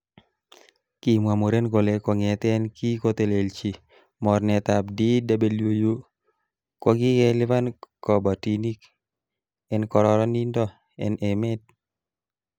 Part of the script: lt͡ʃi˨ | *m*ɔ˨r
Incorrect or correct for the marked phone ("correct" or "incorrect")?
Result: correct